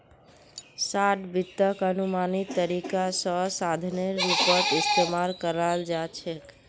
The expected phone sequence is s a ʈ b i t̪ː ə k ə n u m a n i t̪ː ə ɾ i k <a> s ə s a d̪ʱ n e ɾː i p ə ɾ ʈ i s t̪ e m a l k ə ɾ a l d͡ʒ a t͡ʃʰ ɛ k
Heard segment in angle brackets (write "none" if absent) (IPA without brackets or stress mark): a